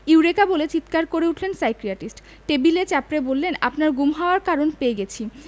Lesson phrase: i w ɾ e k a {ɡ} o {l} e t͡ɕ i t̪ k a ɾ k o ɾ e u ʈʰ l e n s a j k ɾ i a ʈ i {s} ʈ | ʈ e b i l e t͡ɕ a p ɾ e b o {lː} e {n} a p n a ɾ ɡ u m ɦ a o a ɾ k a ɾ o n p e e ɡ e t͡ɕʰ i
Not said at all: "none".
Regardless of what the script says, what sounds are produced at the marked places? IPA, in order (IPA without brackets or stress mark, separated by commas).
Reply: b, l, s, lː, n